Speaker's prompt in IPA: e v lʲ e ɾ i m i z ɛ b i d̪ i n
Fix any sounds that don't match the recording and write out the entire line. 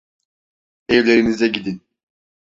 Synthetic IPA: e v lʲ e ɾ i n i z ɛ ɟ i d̪ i n